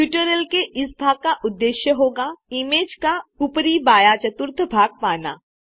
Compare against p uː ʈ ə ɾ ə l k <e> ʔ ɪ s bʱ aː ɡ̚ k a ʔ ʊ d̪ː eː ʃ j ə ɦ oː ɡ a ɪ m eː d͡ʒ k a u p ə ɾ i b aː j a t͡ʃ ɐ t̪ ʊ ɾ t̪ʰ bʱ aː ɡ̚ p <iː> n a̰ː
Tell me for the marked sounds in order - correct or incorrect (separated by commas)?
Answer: correct, incorrect